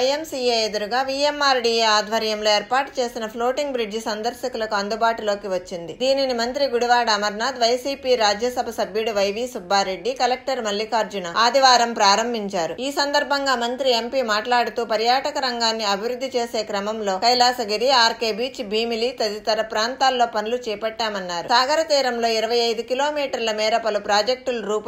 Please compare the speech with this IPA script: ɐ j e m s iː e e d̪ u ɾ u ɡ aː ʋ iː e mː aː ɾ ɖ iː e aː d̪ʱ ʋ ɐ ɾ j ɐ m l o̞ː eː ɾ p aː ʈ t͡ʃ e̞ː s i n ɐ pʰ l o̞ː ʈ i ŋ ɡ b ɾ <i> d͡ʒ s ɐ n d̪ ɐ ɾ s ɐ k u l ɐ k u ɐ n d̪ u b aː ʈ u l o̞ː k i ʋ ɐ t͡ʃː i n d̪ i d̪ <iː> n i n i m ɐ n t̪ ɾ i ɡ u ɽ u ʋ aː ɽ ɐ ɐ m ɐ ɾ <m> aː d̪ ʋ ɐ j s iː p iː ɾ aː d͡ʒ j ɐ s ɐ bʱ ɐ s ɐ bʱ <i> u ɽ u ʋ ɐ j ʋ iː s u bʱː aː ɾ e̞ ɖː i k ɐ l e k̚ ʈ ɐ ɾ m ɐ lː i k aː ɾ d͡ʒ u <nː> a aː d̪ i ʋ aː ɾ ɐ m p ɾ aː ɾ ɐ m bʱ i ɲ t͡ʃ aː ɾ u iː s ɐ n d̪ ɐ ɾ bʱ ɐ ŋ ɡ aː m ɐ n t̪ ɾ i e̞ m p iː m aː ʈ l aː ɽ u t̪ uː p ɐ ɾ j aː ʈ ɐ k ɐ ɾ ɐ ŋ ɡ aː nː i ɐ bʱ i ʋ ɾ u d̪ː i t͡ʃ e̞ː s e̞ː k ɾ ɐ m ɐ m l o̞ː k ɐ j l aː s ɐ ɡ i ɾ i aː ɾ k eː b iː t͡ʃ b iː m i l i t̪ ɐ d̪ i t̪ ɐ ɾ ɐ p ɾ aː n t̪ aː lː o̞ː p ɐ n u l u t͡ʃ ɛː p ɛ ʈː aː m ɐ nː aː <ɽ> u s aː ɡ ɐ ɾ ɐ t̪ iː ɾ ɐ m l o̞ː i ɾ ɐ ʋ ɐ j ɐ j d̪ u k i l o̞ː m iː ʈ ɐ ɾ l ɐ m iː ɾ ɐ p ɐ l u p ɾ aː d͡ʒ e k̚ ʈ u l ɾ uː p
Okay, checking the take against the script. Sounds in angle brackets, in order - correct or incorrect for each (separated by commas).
correct, correct, incorrect, incorrect, incorrect, incorrect